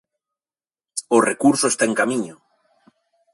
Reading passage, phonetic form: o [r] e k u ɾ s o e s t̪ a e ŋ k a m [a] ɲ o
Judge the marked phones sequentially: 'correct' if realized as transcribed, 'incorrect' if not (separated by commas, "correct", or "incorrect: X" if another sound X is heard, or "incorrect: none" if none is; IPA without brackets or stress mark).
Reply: correct, incorrect: i